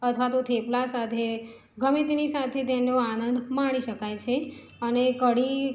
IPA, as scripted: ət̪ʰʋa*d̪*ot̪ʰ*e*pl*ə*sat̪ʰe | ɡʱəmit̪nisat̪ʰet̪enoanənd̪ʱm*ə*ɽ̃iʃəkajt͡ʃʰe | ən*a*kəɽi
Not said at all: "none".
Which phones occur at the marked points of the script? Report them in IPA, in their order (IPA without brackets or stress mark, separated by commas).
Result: t̪, e, a, a, e